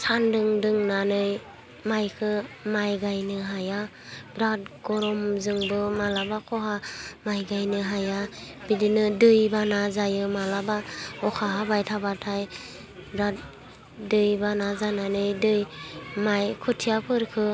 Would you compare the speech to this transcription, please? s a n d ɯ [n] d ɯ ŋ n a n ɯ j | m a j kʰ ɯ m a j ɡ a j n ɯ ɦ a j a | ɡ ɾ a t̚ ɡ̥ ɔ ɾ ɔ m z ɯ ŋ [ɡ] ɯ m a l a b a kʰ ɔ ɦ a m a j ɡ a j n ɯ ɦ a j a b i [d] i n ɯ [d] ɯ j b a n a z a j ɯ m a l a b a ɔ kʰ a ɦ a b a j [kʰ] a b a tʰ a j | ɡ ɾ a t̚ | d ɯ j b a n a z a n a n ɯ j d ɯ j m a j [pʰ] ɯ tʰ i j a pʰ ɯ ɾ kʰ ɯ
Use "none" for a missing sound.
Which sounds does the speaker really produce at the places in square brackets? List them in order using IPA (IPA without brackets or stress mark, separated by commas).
ŋ, b, d, d, tʰ, kʰ